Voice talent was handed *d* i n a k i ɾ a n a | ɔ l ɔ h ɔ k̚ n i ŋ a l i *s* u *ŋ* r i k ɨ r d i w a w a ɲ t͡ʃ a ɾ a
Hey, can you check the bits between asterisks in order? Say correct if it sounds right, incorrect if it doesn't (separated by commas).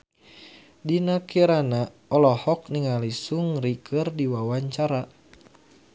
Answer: correct, correct, correct